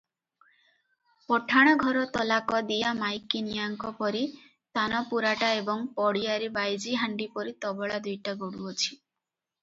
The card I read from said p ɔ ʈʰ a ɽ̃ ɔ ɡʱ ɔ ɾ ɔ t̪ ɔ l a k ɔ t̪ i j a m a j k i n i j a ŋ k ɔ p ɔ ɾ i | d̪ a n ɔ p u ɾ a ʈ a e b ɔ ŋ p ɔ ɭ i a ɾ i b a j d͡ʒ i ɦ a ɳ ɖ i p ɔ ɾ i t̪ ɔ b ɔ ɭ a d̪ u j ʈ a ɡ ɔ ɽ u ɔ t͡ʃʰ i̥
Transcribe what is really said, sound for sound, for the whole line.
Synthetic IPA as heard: p ɔ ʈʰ a ɽ̃ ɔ ɡʱ ɔ ɾ ɔ t̪ ɔ l a k ɔ d̪ i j a m a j k i n i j a ŋ k ɔ p ɔ ɾ i | t̪ a n ɔ p u ɾ a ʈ a e b ɔ ŋ p ɔ ɽ i a ɾ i b a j d͡ʒ i ɦ a ɳ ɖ i p ɔ ɾ i t̪ ɔ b ɔ ɭ a d̪ u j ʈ a ɡ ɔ ɽ u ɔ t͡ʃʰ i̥